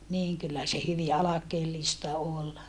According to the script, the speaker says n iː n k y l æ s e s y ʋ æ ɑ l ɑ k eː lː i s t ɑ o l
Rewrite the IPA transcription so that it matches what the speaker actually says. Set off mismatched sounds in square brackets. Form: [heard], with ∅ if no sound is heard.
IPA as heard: n iː [ŋ] k y [lː] æ s e [h] y ʋ [i] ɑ l ɑ k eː lː i s t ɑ o l

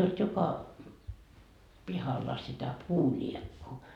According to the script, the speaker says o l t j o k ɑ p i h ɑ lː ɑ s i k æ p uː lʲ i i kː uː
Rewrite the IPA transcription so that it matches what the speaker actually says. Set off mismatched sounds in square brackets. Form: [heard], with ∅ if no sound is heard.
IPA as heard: o l t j o k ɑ p i h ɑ lː ɑ s i [t] æ p uː lʲ i [e] kː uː

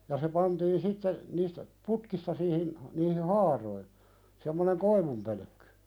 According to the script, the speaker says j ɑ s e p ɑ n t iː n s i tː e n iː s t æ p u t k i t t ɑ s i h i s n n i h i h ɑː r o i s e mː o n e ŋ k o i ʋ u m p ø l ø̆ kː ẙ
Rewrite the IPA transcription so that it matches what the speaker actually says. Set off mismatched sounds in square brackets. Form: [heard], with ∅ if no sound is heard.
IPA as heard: j ɑ s e p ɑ n t iː n s i tː e n iː s t æ p u t k i [s] t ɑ s [iː] h i [∅] n n [iː] h i h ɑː r o i s e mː o n e ŋ k o i ʋ u m p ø l ø̆ kː ẙ

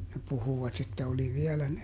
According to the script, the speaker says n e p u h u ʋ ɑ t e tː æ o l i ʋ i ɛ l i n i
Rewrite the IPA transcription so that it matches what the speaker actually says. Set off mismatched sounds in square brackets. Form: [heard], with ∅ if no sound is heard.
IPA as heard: n e p u h u ʋ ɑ t e tː æ o l i ʋ i ɛ l [æ] n [e]

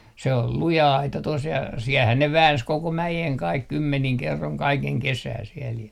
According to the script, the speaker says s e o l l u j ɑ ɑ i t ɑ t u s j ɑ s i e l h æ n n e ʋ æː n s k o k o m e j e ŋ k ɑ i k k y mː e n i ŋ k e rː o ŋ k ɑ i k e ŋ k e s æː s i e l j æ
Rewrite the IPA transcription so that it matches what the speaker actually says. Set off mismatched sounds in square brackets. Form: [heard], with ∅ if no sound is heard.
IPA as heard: s e o l l u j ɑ ɑ i t ɑ t [o] s j ɑ s i [ɛ] l h æ n n e ʋ æː n s k o k o m [æ] j e ŋ k ɑ i k k y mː e n i ŋ k e rː o ŋ k ɑ i k e ŋ k e s æː s i [ɛ] l j æ

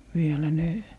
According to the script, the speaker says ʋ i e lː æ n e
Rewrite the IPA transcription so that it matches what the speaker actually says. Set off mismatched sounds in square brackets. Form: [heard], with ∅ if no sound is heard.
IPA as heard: ʋ i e [l] æ n e

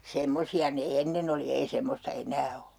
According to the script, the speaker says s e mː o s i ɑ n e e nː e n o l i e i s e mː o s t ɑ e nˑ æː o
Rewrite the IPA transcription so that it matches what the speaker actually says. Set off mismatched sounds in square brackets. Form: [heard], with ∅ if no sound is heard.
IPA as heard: s e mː o s i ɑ n e e nː e n o l i e i s e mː o s t ɑ e nˑ æː o

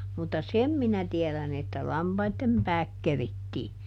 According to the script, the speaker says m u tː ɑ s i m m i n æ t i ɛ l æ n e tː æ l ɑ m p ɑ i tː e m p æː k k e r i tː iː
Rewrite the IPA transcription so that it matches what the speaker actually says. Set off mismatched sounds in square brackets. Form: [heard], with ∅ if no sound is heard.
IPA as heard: m u tː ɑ s [e] m m i n æ t i ɛ l æ n e tː æ l ɑ m p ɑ i tː e m p æː k k e r i tː iː

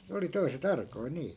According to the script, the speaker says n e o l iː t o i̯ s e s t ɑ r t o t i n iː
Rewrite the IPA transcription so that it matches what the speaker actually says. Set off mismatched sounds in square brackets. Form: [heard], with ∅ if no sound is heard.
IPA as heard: n e o l [i] t o i̯ s e [∅] t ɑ r [k] o [∅] i n iː

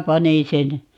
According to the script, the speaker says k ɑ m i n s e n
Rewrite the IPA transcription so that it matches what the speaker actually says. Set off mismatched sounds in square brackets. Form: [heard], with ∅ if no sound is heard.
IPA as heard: [p] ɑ [n] i n s e n

